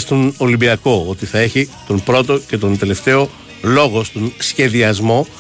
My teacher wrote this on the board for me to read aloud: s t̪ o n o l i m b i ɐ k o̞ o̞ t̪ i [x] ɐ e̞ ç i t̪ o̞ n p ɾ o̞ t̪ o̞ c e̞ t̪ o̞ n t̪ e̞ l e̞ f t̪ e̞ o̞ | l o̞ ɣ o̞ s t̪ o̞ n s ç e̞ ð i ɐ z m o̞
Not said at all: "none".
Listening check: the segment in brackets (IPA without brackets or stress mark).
θ